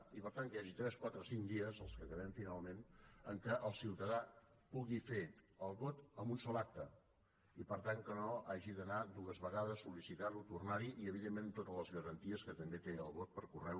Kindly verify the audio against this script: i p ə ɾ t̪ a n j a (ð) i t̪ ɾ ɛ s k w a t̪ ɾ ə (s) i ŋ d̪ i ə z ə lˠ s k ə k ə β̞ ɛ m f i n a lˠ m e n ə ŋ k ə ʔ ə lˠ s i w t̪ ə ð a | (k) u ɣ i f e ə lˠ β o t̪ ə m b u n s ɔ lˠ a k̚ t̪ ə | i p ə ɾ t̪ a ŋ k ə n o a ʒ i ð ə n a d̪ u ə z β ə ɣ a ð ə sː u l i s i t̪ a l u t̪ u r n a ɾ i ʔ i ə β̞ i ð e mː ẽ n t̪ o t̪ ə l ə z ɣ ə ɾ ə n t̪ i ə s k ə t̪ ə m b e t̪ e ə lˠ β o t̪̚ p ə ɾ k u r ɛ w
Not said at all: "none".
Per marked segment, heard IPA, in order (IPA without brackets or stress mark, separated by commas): ʒ, s, p